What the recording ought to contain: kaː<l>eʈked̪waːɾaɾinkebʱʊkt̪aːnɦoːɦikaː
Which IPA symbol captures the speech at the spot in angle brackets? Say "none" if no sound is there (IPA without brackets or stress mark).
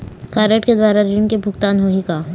ɾ